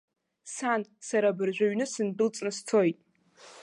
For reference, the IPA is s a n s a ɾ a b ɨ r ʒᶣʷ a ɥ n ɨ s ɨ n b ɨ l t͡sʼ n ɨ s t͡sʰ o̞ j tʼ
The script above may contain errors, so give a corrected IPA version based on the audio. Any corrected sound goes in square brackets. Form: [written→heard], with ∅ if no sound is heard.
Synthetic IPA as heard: s a n s a ɾ a b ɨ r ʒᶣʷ a ɥ n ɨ s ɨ n [b→d] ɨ l t͡sʼ n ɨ s t͡sʰ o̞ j tʼ